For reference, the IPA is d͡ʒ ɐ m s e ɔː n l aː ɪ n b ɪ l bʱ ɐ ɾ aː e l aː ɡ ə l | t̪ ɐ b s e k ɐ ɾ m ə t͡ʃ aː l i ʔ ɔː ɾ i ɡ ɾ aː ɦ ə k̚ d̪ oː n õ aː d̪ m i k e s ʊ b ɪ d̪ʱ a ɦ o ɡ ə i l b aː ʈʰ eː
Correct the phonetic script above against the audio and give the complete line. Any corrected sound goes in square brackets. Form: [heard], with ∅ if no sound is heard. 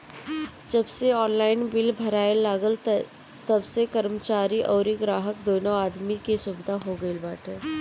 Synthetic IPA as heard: d͡ʒ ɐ [b] s e ɔː n l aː ɪ n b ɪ l bʱ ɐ ɾ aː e l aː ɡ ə l | t̪ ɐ b s e k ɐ ɾ m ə t͡ʃ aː [ɾ] i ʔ ɔː ɾ i ɡ ɾ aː ɦ ə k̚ d̪ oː n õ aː d̪ m i k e s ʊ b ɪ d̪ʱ a ɦ o ɡ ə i l b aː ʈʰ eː

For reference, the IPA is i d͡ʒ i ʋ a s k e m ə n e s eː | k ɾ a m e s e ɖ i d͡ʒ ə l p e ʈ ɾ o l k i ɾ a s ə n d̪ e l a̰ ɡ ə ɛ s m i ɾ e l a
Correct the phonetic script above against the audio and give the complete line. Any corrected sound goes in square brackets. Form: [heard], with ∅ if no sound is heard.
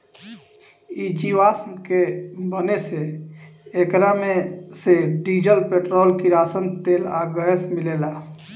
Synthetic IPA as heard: i d͡ʒ i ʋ a s k e [b] ə n e s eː | k ɾ a m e s e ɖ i d͡ʒ ə l p e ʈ ɾ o l k i ɾ a s ə n [t̪] e l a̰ ɡ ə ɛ s m i [l] e l a

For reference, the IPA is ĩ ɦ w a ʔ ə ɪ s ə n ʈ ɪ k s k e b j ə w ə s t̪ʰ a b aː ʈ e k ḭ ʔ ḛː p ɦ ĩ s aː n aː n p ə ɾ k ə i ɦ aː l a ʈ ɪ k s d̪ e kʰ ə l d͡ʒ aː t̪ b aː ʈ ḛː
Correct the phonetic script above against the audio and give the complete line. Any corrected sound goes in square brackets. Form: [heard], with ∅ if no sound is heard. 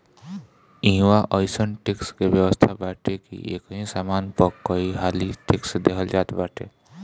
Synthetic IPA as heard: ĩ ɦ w a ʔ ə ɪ s ə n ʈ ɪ k s k e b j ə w ə s t̪ʰ a b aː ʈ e k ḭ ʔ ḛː [k] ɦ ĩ s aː [m] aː n p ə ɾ k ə i ɦ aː l [i] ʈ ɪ k s d̪ e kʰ ə l d͡ʒ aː t̪ b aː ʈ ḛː

